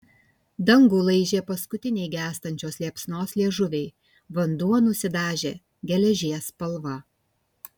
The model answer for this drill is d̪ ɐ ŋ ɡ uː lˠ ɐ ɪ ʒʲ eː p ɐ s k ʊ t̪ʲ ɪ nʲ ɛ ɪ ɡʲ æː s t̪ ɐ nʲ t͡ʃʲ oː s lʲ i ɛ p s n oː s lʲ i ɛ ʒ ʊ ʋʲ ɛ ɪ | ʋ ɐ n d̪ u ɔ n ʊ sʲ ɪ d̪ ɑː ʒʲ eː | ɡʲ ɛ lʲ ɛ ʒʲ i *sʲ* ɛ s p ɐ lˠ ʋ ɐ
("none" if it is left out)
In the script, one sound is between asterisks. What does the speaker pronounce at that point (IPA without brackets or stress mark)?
none